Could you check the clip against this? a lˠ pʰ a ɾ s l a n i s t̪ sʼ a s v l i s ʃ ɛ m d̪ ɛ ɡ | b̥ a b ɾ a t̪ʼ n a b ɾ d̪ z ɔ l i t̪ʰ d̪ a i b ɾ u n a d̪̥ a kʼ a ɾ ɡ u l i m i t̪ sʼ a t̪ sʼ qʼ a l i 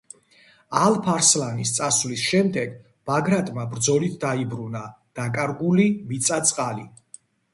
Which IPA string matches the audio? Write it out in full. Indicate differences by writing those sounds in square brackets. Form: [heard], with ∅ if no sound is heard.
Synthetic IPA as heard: a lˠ pʰ a ɾ s l a n i s t̪ sʼ a s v l i s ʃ ɛ m d̪ ɛ ɡ | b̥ a [ɡ] ɾ a t̪ʼ [m] a b ɾ d̪ z ɔ l i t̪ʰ d̪ a i b ɾ u n a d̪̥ a kʼ a ɾ ɡ u l i m i t̪ sʼ a t̪ sʼ qʼ a l i